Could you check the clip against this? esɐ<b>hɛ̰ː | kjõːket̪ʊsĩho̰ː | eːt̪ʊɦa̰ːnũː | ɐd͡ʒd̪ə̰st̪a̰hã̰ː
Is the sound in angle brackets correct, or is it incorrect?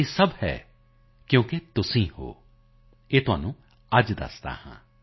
correct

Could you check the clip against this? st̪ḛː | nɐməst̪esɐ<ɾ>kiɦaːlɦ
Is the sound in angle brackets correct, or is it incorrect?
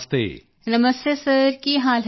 correct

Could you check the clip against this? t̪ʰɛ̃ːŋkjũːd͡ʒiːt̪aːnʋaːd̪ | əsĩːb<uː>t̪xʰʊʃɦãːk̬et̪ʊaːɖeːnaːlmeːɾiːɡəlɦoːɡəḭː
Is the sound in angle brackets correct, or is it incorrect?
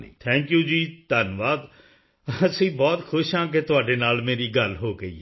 incorrect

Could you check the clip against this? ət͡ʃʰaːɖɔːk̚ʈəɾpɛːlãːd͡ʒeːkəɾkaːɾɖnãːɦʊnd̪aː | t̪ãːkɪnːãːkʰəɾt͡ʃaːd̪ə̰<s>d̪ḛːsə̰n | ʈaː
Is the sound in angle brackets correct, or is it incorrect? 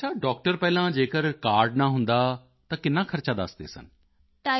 correct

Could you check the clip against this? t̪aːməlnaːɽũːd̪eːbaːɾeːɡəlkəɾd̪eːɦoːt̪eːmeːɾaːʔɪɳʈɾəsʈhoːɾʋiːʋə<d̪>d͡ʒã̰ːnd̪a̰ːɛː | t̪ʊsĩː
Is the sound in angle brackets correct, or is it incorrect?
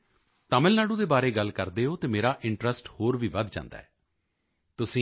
correct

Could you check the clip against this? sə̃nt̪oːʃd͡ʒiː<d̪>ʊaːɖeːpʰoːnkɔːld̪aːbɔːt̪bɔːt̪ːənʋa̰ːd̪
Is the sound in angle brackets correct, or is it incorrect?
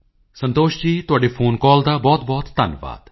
incorrect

